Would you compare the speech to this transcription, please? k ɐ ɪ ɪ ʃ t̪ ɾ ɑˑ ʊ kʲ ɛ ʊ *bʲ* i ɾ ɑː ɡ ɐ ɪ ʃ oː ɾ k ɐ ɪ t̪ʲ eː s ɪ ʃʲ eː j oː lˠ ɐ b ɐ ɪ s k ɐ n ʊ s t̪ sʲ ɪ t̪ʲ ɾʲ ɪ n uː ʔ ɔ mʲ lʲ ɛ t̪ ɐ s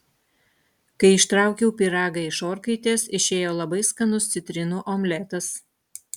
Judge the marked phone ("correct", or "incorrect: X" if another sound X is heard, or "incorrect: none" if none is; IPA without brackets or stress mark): incorrect: pʲ